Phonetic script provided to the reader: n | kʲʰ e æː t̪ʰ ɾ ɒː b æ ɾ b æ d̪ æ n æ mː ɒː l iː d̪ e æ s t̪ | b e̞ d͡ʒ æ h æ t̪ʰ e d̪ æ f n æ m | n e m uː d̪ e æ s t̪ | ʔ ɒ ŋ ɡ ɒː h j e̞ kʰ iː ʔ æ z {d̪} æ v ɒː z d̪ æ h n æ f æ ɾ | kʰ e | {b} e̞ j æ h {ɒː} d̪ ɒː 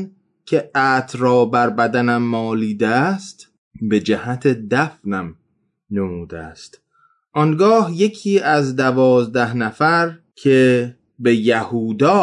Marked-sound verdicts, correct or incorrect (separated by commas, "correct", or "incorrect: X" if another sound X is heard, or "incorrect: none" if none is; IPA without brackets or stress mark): correct, correct, incorrect: uː